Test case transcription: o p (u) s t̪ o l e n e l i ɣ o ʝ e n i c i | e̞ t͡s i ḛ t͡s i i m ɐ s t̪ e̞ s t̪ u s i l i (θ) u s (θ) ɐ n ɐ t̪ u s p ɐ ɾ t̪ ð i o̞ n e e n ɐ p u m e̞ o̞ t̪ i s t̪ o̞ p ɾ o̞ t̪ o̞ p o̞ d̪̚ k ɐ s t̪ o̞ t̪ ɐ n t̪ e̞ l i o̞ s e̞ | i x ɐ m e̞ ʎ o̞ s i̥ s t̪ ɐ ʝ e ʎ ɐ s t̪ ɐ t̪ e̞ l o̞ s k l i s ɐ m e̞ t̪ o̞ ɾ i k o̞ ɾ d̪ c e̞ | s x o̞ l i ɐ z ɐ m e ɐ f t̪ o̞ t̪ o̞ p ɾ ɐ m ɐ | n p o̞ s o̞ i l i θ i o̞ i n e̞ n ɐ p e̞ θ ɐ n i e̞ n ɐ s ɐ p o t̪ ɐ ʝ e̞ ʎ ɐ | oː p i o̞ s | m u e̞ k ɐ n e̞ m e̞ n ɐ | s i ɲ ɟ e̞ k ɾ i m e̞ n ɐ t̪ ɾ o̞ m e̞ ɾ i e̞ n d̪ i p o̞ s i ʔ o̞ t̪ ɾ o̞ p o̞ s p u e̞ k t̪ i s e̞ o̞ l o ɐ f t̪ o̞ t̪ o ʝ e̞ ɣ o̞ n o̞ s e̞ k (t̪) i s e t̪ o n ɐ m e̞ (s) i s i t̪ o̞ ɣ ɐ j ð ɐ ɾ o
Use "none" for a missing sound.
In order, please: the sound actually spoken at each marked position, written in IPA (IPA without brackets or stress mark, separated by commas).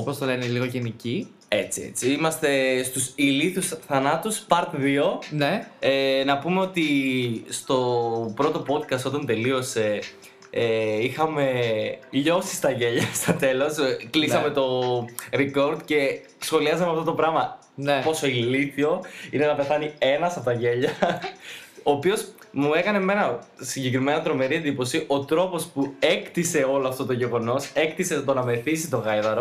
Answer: o, θ, θ, t̪, θ